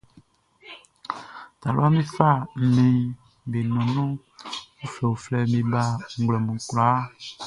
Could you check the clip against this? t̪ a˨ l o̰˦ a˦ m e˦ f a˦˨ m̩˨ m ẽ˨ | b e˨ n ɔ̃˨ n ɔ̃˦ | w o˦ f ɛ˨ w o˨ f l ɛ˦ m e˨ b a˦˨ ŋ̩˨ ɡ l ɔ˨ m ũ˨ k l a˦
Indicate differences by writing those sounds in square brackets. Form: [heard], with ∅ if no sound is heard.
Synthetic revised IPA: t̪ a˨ l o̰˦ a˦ m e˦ f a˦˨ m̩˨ m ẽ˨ | b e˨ n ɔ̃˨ n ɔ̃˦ | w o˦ f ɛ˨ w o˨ f l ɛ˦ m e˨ b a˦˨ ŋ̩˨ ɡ l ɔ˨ m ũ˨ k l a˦